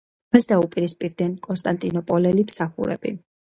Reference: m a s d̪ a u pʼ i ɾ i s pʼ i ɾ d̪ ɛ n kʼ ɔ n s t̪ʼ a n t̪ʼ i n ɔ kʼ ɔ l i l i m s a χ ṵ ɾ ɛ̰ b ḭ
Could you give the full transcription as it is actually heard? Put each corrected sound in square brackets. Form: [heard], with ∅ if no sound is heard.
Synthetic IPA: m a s d̪ a u pʼ i ɾ i s pʼ i ɾ d̪ ɛ n kʼ ɔ n s t̪ʼ a n t̪ʼ i n ɔ [pʼ] ɔ l [ɛ] l i m s a χ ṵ ɾ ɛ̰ b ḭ